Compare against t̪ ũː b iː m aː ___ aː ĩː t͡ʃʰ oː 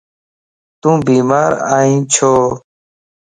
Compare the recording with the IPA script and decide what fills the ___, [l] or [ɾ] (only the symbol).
ɾ